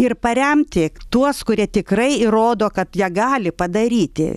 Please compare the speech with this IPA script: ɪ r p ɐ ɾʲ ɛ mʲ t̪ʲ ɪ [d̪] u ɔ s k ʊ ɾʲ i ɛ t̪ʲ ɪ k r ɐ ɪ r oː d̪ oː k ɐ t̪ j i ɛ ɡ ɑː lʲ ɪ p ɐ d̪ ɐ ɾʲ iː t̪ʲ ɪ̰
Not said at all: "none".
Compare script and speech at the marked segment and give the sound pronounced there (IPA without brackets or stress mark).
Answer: t̪